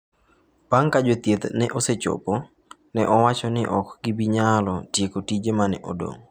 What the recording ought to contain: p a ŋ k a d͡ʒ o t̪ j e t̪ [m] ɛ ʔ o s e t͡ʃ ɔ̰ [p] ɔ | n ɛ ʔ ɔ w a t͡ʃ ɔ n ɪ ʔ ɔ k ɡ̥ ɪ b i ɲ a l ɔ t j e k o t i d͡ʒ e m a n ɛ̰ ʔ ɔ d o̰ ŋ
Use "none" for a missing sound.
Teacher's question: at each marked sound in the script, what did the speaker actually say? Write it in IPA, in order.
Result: n, p

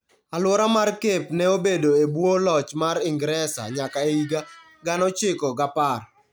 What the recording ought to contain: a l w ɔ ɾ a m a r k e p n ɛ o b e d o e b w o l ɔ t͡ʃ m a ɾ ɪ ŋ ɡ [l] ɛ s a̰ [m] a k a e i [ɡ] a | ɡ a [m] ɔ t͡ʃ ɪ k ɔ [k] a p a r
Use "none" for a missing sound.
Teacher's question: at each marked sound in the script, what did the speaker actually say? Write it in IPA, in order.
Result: ɾ, ɲ, ɡ, n, ɡ

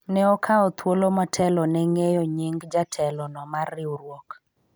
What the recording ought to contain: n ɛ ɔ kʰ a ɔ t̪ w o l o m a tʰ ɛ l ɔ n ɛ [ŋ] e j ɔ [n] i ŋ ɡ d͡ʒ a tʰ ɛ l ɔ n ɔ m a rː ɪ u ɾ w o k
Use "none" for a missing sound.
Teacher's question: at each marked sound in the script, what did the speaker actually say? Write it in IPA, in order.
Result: ŋ, ɲ

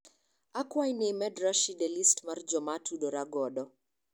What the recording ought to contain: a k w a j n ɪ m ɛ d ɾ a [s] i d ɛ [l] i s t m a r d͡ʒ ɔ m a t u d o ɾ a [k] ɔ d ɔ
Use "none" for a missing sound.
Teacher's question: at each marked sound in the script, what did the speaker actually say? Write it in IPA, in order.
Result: ʃ, l, ɡ

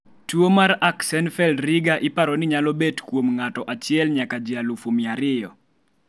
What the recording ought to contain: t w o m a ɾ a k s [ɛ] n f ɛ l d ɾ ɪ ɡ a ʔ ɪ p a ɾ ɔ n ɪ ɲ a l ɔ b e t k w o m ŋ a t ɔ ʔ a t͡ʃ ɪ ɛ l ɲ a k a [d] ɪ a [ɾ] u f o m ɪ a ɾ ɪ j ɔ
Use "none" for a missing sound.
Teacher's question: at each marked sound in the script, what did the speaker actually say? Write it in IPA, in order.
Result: ɛ, d͡ʒ, l

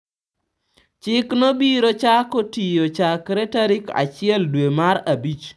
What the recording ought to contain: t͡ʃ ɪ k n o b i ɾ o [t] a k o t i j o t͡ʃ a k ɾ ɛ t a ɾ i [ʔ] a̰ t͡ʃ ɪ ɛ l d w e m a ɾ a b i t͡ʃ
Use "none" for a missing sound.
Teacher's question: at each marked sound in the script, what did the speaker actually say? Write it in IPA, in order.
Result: t͡ʃ, k

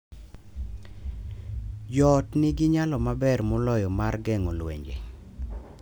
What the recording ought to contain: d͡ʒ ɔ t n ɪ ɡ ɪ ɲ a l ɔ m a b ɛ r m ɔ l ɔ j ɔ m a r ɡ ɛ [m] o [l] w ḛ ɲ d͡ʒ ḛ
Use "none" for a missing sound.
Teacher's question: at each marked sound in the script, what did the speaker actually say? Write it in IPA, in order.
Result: ŋ, l

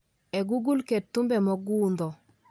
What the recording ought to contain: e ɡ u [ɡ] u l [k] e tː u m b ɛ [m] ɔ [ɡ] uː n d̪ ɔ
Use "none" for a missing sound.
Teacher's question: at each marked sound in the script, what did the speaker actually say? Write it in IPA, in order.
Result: ɡ, k, m, ɡ

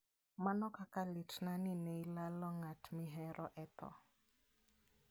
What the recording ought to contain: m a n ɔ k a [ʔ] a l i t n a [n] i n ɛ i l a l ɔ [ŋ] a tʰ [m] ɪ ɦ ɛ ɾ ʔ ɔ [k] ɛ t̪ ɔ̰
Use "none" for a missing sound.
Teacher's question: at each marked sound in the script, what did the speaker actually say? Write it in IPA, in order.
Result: k, n, ŋ, m, ʔ

